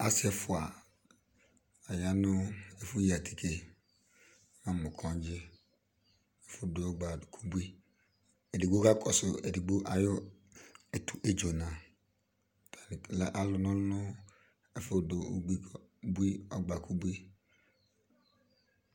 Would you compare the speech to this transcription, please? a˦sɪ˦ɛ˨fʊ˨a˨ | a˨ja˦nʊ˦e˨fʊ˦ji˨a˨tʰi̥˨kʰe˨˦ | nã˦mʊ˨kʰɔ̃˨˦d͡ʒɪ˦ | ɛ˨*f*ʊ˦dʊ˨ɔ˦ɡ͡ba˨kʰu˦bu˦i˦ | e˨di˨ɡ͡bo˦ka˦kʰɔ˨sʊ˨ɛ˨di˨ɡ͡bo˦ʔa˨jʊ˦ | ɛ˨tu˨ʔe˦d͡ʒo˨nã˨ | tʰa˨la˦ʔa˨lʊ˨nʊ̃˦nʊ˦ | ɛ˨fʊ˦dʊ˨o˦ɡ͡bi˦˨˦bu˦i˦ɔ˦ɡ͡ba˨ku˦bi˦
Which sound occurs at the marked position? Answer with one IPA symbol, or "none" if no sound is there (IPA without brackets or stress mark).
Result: f